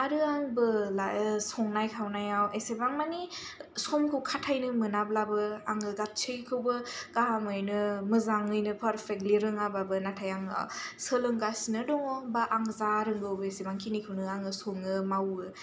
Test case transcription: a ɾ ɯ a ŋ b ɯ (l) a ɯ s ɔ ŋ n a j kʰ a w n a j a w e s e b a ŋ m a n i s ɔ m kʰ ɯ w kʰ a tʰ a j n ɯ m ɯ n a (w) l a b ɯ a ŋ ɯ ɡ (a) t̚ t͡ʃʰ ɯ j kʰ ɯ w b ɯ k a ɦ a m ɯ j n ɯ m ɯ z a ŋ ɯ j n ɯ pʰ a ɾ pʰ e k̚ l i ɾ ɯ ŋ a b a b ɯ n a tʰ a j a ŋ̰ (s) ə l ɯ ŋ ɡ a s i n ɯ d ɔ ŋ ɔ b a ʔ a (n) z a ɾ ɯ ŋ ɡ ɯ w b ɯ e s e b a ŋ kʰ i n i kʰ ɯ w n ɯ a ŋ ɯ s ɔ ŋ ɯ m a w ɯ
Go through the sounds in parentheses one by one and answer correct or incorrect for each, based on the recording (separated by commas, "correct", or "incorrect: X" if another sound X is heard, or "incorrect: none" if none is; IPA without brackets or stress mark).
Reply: correct, incorrect: b, correct, correct, incorrect: ŋ